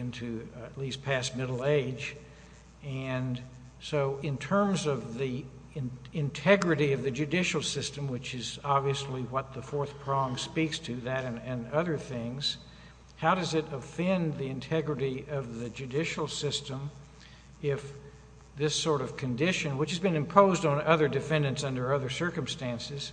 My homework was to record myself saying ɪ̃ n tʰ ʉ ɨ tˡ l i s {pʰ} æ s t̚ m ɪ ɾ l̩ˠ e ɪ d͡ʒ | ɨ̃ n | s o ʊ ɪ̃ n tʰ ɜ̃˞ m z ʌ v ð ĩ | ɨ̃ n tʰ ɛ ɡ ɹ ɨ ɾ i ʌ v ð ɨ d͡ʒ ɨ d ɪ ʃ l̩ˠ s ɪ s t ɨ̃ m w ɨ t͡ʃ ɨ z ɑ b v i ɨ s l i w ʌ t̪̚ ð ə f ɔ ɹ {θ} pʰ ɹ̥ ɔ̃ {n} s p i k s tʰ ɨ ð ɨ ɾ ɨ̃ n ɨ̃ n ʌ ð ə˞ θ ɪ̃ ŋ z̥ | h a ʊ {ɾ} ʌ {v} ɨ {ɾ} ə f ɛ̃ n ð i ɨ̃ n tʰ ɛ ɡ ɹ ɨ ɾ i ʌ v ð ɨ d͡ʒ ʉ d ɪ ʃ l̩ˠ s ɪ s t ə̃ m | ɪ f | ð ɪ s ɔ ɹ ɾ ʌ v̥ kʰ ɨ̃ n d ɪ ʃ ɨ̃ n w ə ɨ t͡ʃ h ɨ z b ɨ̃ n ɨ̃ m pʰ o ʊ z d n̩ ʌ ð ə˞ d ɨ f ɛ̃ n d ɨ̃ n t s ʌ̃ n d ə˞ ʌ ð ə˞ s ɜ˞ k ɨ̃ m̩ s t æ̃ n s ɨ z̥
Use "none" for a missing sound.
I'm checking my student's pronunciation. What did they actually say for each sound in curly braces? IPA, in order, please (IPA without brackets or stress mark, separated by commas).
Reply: pʰ, θ, ŋ, ɾ, z, ɾ